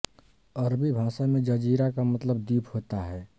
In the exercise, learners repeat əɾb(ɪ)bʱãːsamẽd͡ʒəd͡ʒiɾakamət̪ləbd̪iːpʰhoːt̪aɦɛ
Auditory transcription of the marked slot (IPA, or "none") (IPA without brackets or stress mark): i